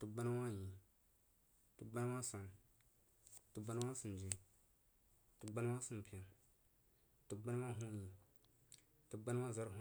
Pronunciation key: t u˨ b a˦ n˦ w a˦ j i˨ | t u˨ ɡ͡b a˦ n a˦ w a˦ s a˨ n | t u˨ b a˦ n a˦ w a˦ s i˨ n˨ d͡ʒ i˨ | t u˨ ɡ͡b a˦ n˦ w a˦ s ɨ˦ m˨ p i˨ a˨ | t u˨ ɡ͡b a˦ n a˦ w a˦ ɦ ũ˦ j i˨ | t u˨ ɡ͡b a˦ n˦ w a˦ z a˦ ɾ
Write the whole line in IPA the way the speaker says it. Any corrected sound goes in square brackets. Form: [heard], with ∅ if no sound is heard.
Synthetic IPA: t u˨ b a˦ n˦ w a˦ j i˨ | t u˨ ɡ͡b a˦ n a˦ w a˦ s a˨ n | t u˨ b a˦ n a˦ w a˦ s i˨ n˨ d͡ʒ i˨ | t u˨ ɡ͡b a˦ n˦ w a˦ s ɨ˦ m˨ p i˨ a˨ | t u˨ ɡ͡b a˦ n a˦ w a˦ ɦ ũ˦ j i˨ | t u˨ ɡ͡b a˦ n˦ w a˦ z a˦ ɾ